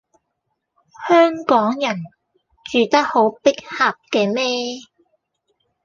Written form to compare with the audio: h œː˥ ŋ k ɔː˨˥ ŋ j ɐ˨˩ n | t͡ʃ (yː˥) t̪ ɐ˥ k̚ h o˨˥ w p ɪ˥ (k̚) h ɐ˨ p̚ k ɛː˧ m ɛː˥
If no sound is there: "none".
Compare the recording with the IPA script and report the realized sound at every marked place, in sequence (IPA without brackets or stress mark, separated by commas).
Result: yː˨, k̚